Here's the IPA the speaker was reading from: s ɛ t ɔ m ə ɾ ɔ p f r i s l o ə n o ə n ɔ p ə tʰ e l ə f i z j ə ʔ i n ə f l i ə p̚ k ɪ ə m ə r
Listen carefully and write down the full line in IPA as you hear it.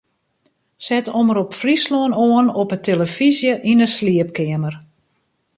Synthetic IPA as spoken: s ɛ t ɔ m ə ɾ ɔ p f r i s l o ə n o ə n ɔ p ə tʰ e l ə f i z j ə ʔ i n ə s l i ə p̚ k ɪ ə m ə r